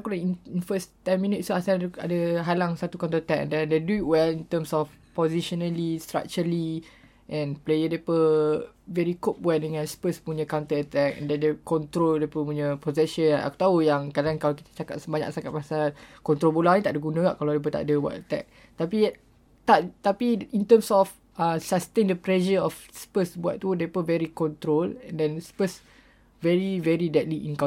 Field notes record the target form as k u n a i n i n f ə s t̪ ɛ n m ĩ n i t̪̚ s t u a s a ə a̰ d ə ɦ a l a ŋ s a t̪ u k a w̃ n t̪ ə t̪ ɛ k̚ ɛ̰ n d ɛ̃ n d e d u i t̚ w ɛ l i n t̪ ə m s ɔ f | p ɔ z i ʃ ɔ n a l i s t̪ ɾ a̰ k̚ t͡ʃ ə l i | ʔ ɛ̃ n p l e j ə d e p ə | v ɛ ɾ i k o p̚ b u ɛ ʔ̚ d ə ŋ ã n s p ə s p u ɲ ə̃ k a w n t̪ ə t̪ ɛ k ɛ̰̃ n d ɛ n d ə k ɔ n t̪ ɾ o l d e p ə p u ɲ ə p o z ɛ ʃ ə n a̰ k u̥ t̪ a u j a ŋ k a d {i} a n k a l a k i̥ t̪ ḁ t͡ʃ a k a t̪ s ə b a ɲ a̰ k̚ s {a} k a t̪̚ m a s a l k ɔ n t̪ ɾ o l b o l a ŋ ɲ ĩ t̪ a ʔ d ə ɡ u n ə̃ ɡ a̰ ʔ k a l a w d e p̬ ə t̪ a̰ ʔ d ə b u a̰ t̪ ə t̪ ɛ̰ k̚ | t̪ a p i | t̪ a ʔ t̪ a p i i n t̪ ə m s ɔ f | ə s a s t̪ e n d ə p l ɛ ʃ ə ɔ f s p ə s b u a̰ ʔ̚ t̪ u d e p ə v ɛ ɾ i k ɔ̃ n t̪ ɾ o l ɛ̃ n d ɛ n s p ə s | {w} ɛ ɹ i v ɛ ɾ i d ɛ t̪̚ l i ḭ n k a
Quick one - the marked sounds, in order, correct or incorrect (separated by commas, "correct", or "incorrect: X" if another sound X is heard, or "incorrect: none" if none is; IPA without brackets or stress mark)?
incorrect: a, correct, incorrect: v